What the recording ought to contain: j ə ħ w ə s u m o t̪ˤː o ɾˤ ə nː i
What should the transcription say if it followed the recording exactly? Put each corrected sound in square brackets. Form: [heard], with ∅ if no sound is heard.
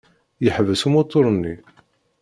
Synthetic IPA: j ə ħ [v] ə s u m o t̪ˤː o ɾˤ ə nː i

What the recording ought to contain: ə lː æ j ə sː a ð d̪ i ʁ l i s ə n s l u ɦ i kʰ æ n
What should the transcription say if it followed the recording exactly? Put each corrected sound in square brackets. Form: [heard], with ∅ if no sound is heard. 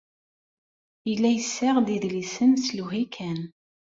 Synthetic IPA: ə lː æ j ə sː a [ʁ] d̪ i [ð] l i s ə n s l u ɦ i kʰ æ n

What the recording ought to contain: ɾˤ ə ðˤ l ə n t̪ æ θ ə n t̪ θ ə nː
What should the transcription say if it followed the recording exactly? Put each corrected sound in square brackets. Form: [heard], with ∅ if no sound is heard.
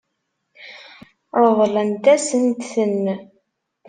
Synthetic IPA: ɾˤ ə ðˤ l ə n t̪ æ [s] ə n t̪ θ ə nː

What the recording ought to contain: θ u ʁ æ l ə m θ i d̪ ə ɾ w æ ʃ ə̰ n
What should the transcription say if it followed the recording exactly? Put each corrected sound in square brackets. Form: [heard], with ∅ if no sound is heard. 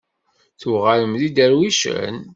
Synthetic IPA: θ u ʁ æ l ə m [ð] i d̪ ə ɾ w [i] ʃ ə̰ n

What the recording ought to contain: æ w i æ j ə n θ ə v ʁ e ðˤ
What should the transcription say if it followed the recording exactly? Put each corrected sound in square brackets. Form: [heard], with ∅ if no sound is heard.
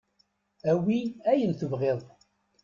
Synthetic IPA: æ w i æ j ə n θ ə v ʁ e ðˤ

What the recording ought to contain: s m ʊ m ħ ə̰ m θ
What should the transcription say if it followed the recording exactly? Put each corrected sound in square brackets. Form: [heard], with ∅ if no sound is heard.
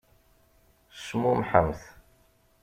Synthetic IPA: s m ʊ m ħ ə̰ m θ

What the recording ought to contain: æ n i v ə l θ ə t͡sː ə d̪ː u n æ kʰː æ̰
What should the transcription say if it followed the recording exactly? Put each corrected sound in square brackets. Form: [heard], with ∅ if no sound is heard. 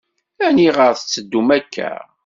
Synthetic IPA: æ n i [ʁ] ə [ɾ] θ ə t͡sː ə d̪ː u [m] æ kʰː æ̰

